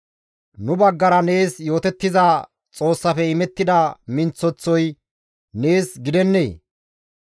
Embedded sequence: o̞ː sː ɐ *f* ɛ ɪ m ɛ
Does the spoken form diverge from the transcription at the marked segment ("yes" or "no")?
no